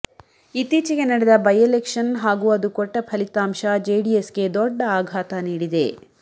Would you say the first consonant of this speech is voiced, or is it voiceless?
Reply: voiceless